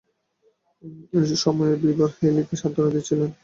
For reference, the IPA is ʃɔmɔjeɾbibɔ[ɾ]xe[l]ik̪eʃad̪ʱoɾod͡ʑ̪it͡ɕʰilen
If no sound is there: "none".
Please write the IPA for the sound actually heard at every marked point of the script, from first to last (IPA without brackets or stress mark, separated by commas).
ɾ, l